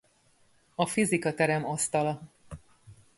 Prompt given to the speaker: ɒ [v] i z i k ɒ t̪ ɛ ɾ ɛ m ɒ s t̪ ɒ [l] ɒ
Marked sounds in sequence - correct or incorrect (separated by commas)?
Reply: incorrect, correct